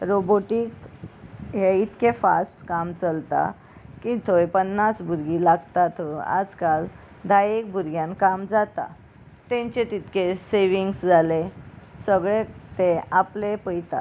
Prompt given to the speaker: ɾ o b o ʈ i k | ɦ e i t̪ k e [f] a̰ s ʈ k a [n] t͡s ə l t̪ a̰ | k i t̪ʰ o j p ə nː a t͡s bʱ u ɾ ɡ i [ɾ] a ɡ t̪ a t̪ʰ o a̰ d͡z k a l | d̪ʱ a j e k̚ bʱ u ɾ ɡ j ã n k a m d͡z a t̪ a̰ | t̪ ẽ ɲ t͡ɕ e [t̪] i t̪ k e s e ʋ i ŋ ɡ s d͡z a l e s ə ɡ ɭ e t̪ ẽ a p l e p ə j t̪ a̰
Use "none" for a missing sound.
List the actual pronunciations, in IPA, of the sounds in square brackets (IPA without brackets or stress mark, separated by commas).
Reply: f, m, l, t̪